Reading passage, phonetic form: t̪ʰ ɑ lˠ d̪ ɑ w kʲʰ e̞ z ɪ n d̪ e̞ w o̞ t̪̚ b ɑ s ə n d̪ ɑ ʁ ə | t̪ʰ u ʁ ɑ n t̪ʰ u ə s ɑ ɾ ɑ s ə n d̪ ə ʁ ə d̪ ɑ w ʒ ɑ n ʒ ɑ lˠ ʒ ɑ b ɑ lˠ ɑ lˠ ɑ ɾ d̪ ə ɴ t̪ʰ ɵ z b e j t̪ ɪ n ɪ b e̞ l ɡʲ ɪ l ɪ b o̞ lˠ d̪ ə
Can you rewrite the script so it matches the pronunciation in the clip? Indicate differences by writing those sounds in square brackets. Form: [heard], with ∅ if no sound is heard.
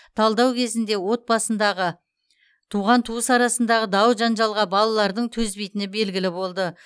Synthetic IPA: t̪ʰ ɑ lˠ d̪ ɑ w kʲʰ e̞ z ɪ n d̪ e̞ w o̞ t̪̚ b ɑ s ə n d̪ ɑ ʁ ə | t̪ʰ u ʁ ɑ n t̪ʰ u ə s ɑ ɾ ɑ s ə n d̪ [ɑ] ʁ ə d̪ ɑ w ʒ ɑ n ʒ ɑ lˠ [ʁ] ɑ b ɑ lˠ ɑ lˠ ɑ ɾ d̪ ə ɴ t̪ʰ ɵ z b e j t̪ ɪ n ɪ b e̞ l ɡʲ ɪ l ɪ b o̞ lˠ d̪ ə